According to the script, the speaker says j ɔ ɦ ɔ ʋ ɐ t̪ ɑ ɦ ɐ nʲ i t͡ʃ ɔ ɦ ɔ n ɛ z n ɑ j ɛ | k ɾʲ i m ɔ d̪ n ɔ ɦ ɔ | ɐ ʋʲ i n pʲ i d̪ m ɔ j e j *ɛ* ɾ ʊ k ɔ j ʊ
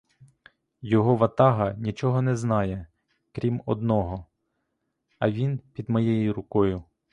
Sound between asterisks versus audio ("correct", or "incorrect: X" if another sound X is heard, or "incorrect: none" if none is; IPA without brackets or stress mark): incorrect: i